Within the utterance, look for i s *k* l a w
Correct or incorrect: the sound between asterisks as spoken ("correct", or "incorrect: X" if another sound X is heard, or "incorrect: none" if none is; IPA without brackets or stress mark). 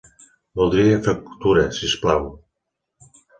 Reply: incorrect: p